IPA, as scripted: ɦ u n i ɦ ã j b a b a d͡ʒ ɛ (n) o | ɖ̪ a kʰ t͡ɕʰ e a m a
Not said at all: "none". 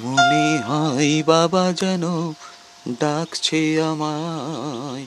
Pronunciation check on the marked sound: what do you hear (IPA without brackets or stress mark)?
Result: n